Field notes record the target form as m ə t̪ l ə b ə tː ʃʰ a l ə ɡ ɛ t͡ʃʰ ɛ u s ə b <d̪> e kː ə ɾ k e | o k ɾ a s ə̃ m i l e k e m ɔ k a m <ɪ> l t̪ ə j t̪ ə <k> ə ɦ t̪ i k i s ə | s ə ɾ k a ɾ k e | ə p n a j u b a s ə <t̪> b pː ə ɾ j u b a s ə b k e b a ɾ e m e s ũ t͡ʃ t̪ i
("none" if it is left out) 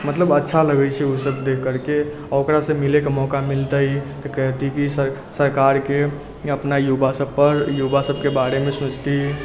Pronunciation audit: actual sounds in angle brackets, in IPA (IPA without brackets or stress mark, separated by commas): d̪, i, k, none